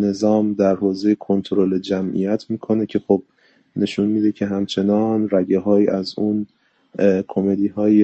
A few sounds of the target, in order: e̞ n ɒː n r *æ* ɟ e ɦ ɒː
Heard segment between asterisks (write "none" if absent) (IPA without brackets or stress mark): æ